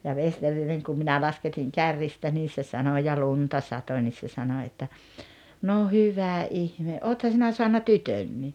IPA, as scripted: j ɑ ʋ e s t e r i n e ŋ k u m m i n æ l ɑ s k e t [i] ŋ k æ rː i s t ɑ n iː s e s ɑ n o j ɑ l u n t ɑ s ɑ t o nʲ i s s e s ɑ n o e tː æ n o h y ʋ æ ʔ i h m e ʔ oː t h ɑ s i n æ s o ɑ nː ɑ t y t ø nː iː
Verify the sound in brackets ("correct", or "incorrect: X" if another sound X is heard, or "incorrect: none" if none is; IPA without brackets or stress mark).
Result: correct